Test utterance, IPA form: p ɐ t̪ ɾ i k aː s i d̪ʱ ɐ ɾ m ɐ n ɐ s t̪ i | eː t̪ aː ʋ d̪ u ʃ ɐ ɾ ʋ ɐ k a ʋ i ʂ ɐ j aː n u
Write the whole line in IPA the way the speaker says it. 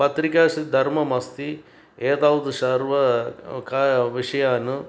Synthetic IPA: p ɐ t̪ ɾ i k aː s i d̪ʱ ɐ ɾ m ɐ m ɐ s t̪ i | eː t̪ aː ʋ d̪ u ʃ ɐ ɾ ʋ ɐ k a ʋ i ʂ ɐ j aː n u